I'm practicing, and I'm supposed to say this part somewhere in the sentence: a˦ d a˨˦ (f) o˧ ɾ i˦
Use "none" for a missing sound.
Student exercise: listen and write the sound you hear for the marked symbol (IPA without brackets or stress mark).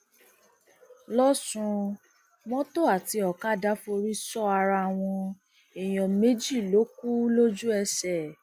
f